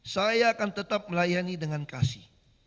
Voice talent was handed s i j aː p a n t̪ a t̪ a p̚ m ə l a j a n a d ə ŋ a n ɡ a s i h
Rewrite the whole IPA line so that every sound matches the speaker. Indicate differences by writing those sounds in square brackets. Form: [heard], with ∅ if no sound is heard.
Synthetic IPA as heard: s [a] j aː [k] a n t̪ [ə] t̪ a p̚ m ə l a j a n [i] d ə ŋ a n [k] a s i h